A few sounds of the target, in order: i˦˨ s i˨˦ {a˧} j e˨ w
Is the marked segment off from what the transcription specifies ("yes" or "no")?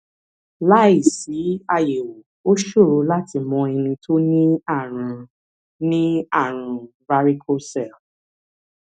no